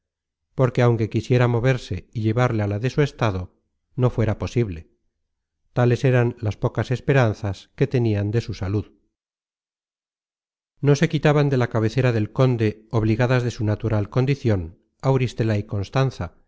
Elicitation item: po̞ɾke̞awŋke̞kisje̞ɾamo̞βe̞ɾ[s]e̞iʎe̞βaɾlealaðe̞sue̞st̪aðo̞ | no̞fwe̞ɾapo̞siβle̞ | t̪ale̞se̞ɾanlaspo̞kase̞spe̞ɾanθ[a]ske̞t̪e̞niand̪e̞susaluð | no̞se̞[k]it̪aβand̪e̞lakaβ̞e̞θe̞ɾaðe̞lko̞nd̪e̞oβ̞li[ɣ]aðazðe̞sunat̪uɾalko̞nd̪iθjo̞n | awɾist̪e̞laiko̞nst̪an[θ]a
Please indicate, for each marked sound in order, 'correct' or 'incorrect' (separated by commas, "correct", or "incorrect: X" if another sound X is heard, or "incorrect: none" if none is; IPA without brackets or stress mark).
correct, correct, correct, correct, correct